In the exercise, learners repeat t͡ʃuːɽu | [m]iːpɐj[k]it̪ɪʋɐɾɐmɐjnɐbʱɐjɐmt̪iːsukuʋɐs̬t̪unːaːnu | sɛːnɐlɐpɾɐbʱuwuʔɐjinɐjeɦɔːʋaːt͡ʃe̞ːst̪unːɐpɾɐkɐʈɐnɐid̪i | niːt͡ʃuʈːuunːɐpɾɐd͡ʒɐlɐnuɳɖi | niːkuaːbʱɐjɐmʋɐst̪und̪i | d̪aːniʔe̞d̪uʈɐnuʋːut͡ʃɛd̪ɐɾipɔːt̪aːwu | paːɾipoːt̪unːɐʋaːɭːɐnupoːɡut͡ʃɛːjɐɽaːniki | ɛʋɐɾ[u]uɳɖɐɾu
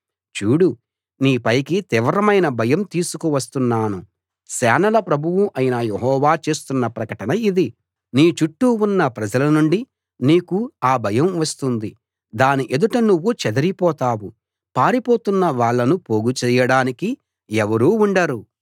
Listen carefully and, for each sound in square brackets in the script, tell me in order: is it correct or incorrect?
incorrect, correct, incorrect

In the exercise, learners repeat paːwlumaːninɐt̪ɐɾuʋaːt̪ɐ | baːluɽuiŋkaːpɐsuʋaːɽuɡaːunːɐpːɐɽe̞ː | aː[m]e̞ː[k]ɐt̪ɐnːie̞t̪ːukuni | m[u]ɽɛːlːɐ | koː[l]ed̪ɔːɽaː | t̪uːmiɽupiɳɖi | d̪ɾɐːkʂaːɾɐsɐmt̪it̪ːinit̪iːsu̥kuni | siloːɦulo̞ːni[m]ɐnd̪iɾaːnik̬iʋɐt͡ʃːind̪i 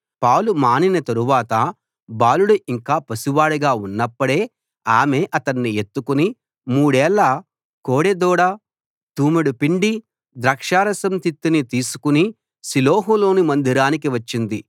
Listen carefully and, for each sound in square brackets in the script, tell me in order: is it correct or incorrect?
correct, incorrect, incorrect, incorrect, correct

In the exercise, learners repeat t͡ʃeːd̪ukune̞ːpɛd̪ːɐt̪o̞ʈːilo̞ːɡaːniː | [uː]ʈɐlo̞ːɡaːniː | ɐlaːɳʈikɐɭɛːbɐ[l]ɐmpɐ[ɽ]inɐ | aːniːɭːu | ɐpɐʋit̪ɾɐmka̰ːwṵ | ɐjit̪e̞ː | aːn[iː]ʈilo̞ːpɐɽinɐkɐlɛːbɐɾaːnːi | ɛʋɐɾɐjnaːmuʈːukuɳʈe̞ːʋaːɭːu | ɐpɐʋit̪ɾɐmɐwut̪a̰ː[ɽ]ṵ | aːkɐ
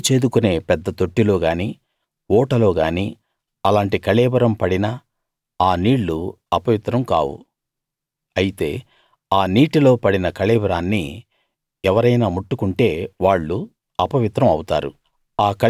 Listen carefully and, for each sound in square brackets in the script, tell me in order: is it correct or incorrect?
incorrect, incorrect, correct, correct, incorrect

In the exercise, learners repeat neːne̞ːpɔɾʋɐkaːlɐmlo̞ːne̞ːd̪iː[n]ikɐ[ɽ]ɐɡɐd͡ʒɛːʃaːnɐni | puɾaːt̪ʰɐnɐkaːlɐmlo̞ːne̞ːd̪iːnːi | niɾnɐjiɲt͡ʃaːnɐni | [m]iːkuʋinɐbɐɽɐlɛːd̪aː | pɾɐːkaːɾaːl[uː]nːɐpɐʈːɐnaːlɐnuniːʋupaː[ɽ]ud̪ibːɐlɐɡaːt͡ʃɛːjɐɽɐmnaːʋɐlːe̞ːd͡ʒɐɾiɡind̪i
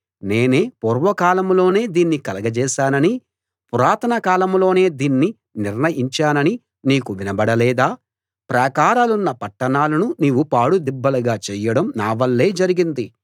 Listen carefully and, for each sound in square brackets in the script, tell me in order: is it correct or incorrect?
incorrect, incorrect, incorrect, incorrect, correct

